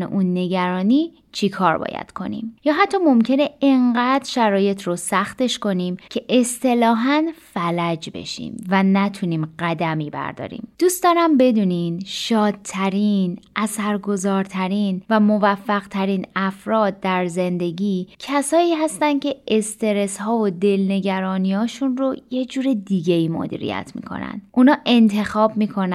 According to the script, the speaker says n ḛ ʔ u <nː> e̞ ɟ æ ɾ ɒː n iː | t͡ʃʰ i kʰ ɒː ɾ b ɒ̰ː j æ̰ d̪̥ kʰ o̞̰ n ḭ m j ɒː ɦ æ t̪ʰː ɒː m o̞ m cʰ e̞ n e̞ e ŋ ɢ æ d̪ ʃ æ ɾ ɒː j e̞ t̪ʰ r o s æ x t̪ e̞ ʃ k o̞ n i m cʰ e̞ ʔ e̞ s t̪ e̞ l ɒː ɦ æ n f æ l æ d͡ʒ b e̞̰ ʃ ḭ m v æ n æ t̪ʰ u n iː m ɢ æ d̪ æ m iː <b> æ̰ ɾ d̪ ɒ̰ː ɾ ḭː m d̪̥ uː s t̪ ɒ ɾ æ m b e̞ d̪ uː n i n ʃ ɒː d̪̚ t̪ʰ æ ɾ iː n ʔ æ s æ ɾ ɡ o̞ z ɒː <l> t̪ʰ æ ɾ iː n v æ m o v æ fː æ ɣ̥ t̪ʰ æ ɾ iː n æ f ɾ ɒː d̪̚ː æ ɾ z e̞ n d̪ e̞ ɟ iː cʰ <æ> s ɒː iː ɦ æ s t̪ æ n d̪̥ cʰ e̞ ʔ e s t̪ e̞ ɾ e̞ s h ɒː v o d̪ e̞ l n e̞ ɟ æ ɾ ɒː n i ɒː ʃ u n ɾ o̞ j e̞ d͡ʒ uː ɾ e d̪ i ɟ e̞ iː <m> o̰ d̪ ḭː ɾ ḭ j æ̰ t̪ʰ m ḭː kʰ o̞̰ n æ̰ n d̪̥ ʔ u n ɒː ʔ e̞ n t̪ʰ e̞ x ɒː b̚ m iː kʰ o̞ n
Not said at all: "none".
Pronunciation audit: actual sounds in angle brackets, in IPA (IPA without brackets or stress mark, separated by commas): nː, b, ɾ, æ, m